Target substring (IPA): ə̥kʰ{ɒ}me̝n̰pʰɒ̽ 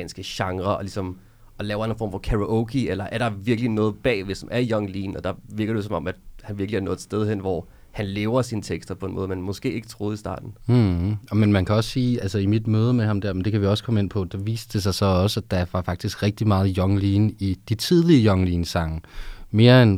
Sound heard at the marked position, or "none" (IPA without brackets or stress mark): ɒ